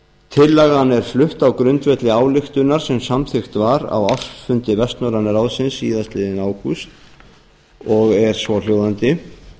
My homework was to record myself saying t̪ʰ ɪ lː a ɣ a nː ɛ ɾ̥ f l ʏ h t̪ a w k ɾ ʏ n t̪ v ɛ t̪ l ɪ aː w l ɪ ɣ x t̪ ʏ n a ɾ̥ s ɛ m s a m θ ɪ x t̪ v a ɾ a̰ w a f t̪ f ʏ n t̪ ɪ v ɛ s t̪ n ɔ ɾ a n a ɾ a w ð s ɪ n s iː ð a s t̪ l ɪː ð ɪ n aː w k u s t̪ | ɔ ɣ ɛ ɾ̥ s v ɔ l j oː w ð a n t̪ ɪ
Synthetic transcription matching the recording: t̪ʰ ɪ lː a ɣ a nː ɛ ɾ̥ f l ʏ h t̪ a w k ɾ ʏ n t̪ v ɛ t̪ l ɪ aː w l ɪ x t̪ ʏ n a ɾ̥ s ɛ m s a m θ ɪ x t̪ v a ɾ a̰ w a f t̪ f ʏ n t̪ ɪ v ɛ s t̪ n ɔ ɾ a n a ɾ a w ð s ɪ n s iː ð a s t̪ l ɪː ð ɪ n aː w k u s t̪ | ɔ ɣ ɛ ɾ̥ s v ɔ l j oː w ð a n t̪ ɪ